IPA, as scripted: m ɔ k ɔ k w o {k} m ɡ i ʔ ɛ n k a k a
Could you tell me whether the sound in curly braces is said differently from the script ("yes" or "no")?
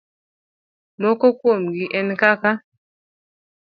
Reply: yes